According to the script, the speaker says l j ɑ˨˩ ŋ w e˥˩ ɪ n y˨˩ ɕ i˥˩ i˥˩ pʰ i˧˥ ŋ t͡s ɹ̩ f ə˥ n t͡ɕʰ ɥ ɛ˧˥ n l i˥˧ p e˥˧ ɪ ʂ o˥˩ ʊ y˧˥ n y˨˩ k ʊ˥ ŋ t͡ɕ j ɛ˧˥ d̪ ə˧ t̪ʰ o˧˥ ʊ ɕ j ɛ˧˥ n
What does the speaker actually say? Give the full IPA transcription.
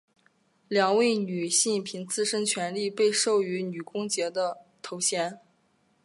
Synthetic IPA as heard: l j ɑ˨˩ ŋ w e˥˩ ɪ n y˨˩ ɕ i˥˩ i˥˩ pʰ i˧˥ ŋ t͡s ɹ̩ ʂ ə˥ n t͡ɕʰ ɥ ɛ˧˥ n l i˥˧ p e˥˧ ɪ ʂ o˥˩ ʊ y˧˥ n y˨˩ k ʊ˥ ŋ t͡ɕ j ɛ˧˥ d̪ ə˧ t̪ʰ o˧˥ ʊ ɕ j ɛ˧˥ n